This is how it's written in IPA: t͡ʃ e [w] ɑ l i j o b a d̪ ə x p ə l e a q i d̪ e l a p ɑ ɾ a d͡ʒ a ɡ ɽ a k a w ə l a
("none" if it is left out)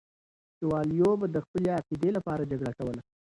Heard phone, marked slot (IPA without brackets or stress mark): w